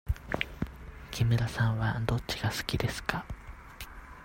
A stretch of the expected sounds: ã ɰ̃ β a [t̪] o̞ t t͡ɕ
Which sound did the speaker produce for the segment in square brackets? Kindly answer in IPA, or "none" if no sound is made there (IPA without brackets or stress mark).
d̪